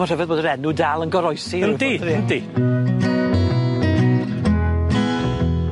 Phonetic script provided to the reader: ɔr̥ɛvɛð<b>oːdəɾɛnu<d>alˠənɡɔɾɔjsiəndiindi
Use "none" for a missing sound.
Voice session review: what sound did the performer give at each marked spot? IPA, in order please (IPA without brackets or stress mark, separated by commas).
b, d